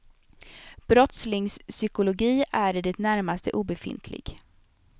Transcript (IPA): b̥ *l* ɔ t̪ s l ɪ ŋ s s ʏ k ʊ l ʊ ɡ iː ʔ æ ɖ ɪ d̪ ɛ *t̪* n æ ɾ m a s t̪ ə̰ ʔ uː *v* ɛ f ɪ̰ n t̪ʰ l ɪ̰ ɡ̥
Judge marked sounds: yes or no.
no, yes, no

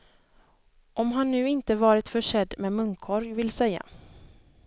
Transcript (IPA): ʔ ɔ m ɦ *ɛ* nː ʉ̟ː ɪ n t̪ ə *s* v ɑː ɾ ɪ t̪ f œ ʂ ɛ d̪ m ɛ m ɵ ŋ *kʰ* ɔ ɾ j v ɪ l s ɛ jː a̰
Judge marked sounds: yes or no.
no, no, yes

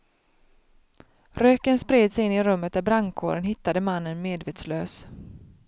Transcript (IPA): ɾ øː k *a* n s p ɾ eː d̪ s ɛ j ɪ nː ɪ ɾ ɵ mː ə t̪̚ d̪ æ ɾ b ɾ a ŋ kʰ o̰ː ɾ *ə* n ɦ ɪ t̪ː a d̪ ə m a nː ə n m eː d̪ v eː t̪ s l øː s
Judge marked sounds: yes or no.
no, yes

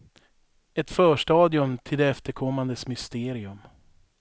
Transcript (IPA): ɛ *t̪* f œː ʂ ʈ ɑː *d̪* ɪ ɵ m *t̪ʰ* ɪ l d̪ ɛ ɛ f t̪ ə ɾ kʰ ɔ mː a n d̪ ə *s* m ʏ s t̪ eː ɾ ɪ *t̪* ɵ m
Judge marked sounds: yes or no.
yes, yes, yes, yes, no

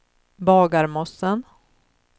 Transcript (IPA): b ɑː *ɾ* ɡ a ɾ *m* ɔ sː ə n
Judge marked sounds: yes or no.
no, yes

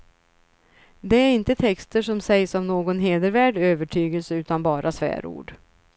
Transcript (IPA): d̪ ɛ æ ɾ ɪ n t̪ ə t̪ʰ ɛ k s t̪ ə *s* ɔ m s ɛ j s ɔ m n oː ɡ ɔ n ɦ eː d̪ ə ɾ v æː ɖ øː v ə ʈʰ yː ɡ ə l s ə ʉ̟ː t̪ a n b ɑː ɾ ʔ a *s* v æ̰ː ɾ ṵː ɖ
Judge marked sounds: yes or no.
no, yes

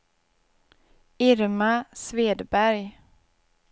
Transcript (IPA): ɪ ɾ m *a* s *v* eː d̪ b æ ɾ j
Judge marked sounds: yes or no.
yes, yes

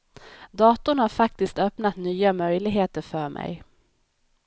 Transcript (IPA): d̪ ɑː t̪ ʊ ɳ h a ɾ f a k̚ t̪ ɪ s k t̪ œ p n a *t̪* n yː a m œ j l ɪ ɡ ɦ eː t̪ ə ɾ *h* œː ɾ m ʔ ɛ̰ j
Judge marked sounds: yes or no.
yes, no

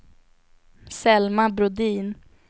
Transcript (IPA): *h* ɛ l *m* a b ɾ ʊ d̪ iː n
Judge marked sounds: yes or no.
no, yes

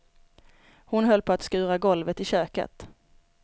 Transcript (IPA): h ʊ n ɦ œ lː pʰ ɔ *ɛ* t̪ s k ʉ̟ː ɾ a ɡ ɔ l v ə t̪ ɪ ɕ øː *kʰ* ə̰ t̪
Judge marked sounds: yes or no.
no, no

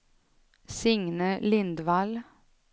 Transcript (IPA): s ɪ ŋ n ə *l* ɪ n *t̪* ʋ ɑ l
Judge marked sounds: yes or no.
yes, no

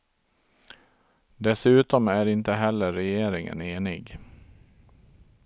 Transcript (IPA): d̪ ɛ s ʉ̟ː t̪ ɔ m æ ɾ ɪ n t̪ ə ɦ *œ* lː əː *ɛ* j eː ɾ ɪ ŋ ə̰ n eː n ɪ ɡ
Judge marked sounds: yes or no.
no, yes

